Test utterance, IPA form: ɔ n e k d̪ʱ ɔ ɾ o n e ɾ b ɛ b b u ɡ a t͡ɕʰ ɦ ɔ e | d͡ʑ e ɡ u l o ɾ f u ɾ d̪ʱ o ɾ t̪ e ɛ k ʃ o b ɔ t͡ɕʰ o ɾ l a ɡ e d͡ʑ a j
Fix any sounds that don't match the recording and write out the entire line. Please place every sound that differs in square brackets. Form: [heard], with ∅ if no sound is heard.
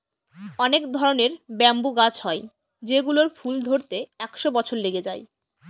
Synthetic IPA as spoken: ɔ n e k d̪ʱ ɔ ɾ o n e ɾ b ɛ [m] b u ɡ a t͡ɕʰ ɦ ɔ e | d͡ʑ e ɡ u l o ɾ f u [l] d̪ʱ o ɾ t̪ e ɛ k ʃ o b ɔ t͡ɕʰ o ɾ l [e] ɡ e d͡ʑ a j

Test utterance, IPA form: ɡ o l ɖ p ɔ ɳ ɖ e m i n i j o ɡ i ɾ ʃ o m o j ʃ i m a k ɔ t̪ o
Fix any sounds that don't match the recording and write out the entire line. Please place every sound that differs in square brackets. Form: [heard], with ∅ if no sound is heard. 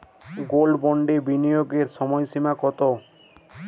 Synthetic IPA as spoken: ɡ o l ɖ [b] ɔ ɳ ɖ e [b] i n i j o ɡ [e] ɾ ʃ [ɔ] m [ɔ] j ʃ i m a k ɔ t̪ o

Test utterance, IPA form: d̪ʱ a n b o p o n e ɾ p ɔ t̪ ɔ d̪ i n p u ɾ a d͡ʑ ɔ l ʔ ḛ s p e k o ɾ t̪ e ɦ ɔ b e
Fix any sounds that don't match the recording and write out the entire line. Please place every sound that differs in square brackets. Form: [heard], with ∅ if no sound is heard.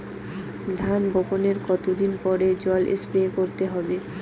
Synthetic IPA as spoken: d̪ʱ a n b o p o n e ɾ [k] ɔ t̪ [o] d̪ i n p [ɔ] ɾ [e] d͡ʑ ɔ l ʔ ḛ s p e k o ɾ t̪ e ɦ ɔ b e

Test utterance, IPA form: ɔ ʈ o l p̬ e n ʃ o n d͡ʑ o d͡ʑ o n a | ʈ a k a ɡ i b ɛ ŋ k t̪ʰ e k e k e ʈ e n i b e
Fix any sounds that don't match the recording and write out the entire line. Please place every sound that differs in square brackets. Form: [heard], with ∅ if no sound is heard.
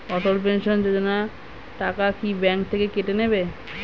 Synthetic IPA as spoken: ɔ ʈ o l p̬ e n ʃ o n d͡ʑ o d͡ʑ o n a | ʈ a k a [k] i b ɛ ŋ k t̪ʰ e k e k e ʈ e n [e] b e

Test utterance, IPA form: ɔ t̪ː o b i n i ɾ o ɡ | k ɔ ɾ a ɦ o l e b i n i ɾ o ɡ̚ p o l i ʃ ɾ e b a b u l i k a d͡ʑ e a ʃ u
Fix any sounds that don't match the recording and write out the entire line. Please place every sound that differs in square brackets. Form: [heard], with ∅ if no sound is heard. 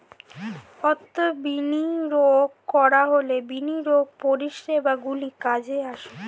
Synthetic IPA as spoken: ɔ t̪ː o b i n i ɾ o ɡ | k ɔ ɾ a ɦ o l e b i n i ɾ o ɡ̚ p o [ɾ] i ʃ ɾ e b a [ɡ] u l i k a d͡ʑ e a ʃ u

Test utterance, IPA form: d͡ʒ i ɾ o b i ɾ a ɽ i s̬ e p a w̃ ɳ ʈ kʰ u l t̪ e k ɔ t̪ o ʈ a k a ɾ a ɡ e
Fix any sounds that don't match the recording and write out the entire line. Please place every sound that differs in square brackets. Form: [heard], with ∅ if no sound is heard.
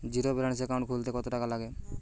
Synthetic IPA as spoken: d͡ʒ i ɾ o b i ɾ a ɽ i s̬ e [k] a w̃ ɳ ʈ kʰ u l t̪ e k ɔ t̪ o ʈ a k a [l] a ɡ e

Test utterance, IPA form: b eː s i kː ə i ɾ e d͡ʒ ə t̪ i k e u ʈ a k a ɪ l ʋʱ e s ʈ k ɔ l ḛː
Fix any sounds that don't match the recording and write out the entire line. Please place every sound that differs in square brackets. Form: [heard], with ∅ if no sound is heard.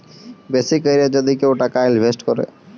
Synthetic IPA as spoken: b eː s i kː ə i ɾ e d͡ʒ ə [d̪] i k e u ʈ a k a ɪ l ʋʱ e s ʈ k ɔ [ɾ] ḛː

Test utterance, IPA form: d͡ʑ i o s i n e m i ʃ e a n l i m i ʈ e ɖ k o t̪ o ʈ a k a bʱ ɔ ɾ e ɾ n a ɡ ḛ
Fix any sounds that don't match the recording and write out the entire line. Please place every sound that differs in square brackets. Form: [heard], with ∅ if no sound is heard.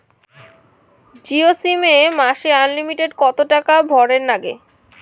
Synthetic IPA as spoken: d͡ʑ i o s i [m] e m [a] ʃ e a n l i m i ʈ e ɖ k [ɔ] t̪ o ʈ a k a bʱ ɔ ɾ e ɾ n a ɡ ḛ

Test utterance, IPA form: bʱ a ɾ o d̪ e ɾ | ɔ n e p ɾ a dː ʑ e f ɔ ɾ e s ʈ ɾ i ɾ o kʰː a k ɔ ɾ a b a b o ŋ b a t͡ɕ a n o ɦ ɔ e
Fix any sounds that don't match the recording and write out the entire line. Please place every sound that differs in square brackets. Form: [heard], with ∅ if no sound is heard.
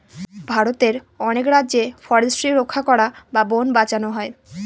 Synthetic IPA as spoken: bʱ a ɾ o [t̪] e ɾ | ɔ n e [k] ɾ a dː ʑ e f ɔ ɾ e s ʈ ɾ i ɾ o kʰː a k ɔ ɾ a b a b o [n] b a t͡ɕ a n o ɦ ɔ e

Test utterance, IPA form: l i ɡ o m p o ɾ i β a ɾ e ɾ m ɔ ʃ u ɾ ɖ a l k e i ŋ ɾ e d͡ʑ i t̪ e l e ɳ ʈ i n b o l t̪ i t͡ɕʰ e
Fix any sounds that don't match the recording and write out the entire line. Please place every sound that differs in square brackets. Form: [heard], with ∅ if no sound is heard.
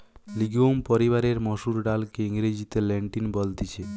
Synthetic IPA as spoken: l i ɡ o m p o ɾ i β a ɾ e ɾ m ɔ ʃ u ɾ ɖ a l k e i ŋ ɾ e d͡ʑ i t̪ e l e ɳ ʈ i n b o l t̪ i t͡ɕʰ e

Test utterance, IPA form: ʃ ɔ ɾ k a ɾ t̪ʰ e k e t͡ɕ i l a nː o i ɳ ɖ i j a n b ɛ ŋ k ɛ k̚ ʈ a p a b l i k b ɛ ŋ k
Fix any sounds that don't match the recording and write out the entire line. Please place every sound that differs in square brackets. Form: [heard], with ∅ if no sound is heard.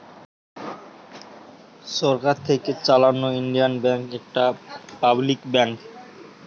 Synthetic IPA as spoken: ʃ ɔ ɾ k a ɾ t̪ʰ e k e t͡ɕ [a] l a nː o i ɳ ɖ i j a n b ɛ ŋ k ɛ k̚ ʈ a p a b l i k b ɛ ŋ k

